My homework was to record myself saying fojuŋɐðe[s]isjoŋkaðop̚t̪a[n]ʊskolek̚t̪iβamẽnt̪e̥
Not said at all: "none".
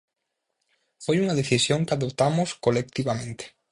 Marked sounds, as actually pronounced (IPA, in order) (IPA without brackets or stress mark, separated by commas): θ, m